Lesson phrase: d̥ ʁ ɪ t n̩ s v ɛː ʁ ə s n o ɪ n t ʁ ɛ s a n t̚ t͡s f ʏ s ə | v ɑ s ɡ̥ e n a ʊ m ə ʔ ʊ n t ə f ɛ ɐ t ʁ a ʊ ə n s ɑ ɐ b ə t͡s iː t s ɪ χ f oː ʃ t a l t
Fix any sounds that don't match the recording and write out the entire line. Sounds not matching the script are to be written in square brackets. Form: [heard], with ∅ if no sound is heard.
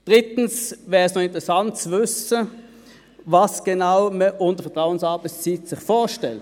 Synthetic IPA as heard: d̥ ʁ ɪ t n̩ s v ɛː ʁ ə s n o ɪ n t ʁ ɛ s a n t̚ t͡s [v] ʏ s ə | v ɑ s ɡ̥ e n a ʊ m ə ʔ ʊ n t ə f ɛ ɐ t ʁ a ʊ ə n s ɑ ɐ b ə t͡s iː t s ɪ χ f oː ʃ t [ɛ] l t